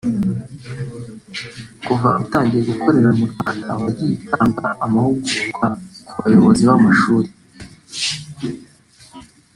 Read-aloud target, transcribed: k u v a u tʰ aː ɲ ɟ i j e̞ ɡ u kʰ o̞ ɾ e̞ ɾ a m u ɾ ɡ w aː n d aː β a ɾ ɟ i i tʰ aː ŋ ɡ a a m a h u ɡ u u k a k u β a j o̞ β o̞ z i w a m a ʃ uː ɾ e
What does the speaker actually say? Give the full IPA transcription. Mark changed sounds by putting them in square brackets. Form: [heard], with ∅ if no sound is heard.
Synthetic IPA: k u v a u [t] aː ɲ ɟ i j e̞ ɡ u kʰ o̞ ɾ e̞ ɾ a m u ɾ ɡ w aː n d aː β a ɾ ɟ i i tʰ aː ŋ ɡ a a m a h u ɡ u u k a k u β a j o̞ β o̞ z i [β] a m a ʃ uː ɾ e